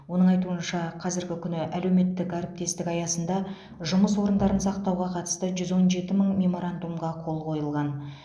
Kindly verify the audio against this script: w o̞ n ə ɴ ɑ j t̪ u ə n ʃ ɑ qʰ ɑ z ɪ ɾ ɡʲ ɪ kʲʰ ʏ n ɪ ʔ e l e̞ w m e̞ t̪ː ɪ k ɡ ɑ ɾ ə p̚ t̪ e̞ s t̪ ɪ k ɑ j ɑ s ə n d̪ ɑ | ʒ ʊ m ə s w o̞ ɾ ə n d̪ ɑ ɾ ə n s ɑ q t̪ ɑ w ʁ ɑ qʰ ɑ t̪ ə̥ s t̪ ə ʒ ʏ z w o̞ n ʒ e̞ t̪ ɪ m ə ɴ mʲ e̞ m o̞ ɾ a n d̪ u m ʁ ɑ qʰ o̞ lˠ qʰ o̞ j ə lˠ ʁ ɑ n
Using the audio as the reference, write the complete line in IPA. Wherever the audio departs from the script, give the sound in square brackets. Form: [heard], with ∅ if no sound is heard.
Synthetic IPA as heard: w o̞ n ə ɴ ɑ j t̪ u ə n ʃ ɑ qʰ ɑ z ɪ ɾ ɡʲ ɪ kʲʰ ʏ n ɪ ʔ [æ] l e̞ w m e̞ t̪ː ɪ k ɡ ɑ ɾ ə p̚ t̪ e̞ s t̪ ɪ k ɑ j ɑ s ə n d̪ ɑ | ʒ ʊ m ə s w o̞ ɾ ə n d̪ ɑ ɾ ə n s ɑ q t̪ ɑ w ʁ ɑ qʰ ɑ t̪ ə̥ s t̪ ə ʒ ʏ z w o̞ n ʒ e̞ t̪ ɪ m ə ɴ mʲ e̞ m o̞ ɾ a n d̪ u m ʁ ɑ qʰ o̞ lˠ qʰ o̞ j ə lˠ ʁ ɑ n